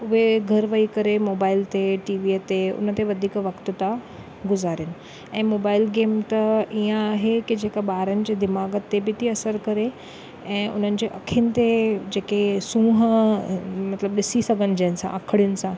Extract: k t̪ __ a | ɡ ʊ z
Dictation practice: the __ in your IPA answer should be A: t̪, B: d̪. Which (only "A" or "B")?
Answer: A